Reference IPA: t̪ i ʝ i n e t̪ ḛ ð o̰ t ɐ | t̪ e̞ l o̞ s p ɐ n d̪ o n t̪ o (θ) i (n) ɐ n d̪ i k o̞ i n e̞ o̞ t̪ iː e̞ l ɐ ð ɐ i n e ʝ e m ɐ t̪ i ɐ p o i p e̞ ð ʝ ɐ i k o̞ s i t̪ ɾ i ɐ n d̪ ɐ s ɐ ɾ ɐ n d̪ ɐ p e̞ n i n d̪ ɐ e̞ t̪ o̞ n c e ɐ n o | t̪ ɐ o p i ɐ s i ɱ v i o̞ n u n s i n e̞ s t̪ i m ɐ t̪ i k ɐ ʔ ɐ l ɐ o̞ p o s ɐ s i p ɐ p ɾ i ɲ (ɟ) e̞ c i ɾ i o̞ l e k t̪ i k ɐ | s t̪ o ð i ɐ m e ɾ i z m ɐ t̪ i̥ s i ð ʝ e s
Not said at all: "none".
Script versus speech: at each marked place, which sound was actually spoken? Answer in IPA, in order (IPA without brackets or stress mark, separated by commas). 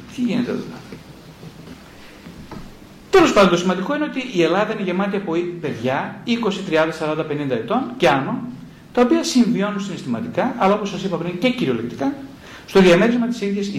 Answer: s, m, c